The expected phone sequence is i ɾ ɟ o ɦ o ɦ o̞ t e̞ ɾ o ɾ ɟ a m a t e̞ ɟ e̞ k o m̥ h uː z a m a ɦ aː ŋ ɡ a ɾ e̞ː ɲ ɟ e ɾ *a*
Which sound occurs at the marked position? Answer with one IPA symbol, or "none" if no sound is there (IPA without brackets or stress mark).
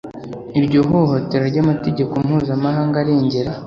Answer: a